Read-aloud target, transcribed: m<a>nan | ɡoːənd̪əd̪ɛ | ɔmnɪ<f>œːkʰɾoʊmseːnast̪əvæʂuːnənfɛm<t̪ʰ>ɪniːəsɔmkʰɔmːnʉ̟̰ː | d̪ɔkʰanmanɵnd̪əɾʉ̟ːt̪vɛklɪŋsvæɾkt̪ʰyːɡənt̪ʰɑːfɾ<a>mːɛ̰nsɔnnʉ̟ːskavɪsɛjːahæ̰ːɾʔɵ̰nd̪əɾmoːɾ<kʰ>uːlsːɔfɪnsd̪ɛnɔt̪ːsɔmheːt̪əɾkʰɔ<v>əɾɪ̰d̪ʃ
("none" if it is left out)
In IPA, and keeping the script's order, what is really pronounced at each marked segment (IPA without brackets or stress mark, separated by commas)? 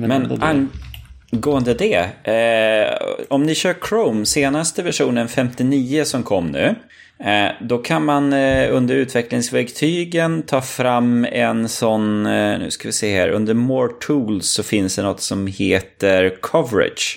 ɛ, ɕ, t̪, a, ʈʰ, v